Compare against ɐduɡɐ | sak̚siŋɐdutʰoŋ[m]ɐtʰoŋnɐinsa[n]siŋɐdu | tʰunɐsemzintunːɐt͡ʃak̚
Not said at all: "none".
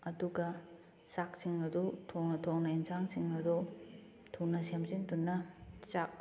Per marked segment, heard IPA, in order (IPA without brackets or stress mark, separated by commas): n, ŋ